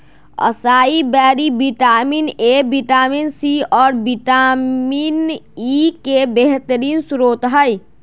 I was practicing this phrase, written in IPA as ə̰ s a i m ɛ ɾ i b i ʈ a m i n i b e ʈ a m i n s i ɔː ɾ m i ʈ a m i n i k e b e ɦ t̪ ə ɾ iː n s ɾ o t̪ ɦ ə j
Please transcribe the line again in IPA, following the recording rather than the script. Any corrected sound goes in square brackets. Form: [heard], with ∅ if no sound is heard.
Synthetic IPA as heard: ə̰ s a i [b] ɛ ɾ i b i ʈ a m i n [e] b [i] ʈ a m i n s i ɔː ɾ [b] i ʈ a m i n i k e b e ɦ t̪ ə ɾ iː n s ɾ o t̪ ɦ ə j